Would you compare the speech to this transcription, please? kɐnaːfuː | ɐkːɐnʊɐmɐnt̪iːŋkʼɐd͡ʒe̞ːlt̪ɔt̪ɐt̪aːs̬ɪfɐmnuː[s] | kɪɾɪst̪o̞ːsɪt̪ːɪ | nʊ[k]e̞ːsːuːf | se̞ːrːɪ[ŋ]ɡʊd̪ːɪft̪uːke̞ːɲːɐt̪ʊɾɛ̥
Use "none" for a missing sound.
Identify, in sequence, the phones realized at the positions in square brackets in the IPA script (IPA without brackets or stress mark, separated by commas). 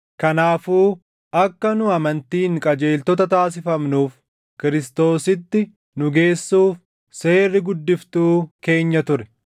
f, ɡ, none